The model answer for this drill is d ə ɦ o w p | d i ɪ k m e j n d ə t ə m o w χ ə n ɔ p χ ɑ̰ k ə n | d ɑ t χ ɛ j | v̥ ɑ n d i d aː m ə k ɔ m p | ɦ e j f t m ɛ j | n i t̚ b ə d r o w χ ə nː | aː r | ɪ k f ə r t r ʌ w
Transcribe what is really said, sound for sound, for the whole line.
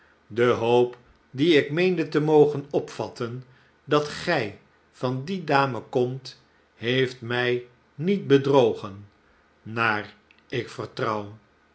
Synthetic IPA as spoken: d ə ɦ o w p | d i ɪ k m e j n d ə t ə m o w χ ə n ɔ p f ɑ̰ t ə n | d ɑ t χ ɛ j | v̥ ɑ n d i d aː m ə k ɔ m t | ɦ e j f t m ɛ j | n i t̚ b ə d r o w χ ə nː | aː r | ɪ k f ə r t r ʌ w